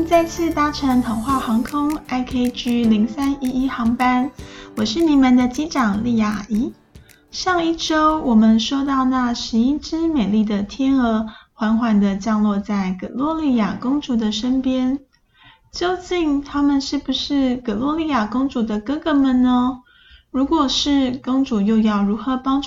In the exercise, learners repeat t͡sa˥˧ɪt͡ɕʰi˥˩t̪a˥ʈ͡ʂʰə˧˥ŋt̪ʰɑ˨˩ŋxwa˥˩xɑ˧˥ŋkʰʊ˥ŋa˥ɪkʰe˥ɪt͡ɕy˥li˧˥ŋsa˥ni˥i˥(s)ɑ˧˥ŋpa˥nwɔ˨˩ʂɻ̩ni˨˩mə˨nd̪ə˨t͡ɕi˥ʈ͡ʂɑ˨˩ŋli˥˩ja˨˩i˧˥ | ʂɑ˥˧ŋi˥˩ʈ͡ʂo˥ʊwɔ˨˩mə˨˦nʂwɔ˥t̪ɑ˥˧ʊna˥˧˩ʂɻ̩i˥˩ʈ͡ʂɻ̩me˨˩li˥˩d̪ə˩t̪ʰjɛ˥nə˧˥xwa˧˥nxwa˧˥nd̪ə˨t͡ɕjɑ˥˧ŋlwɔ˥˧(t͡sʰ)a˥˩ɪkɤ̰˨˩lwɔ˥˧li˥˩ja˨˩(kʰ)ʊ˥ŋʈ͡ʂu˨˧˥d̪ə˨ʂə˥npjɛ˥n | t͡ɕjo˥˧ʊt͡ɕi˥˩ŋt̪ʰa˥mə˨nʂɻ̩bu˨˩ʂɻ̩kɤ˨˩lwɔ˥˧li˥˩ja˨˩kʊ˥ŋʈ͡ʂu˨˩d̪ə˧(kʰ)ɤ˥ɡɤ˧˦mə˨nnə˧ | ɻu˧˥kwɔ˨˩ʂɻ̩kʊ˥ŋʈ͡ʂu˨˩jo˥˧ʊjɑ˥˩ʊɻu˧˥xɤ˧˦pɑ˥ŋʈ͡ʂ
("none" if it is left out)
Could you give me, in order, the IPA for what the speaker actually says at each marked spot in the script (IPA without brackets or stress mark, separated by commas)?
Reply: x, t͡s, k, k